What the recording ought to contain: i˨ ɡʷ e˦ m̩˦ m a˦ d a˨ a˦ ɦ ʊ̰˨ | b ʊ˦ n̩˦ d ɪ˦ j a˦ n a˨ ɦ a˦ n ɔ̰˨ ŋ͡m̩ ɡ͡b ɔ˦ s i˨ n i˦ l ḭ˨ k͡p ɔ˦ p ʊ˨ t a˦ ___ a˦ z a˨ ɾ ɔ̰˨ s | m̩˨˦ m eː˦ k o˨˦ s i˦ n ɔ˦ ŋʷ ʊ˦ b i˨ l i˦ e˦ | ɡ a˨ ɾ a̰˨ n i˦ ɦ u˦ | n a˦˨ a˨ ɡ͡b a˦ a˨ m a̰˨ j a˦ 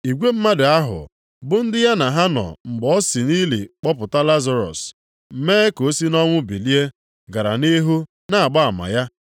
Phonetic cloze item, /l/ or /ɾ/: l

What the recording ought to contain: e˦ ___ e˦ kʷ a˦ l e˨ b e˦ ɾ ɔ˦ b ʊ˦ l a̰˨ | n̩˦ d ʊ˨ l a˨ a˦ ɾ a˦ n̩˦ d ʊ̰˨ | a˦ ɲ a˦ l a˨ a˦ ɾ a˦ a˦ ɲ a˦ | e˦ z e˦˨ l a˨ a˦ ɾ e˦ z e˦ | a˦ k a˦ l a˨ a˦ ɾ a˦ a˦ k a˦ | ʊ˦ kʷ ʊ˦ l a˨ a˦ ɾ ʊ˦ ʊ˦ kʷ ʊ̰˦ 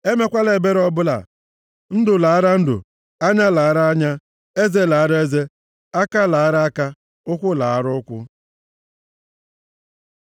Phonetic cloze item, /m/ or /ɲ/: m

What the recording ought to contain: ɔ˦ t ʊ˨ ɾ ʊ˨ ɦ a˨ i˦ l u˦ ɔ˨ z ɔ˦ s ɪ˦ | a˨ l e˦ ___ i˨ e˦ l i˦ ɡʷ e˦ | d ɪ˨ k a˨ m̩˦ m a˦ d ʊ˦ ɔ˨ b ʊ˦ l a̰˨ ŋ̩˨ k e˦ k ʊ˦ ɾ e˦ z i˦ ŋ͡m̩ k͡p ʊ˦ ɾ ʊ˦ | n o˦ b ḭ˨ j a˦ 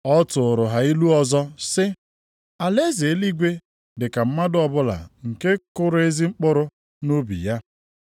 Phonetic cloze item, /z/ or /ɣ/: z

